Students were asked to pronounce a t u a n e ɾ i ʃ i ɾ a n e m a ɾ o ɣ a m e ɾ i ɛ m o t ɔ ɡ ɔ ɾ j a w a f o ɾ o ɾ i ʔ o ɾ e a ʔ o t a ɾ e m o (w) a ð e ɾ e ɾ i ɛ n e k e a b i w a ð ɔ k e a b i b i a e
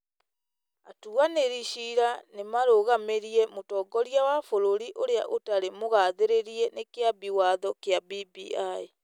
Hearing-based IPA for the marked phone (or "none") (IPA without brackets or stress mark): ɣ